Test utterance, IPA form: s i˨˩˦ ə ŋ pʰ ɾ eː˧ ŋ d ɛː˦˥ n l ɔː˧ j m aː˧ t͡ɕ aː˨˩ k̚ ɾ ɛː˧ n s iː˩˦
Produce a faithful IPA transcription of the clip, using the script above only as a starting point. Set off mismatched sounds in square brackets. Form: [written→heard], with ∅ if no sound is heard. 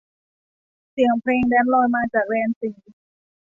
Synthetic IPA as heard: s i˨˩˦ ə ŋ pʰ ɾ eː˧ ŋ d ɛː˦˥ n l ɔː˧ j m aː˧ t͡ɕ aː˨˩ k̚ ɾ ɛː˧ n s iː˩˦